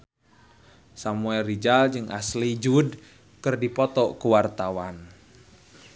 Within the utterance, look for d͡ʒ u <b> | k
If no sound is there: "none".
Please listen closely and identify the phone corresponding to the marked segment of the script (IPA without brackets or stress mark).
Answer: d